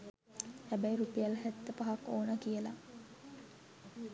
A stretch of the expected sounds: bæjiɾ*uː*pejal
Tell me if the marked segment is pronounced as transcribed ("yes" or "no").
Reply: no